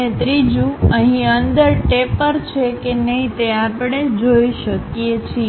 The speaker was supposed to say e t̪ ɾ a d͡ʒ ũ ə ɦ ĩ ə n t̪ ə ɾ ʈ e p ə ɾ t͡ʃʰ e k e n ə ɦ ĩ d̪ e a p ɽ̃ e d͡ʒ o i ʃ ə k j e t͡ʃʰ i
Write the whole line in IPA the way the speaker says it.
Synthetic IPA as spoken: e t̪ ɾ i d͡ʒ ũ ə ɦ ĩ ə n d̪ ə ɾ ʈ e p ə ɾ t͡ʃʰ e k e n ə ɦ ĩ t̪ e a p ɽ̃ e d͡ʒ o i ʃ ə k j e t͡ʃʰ i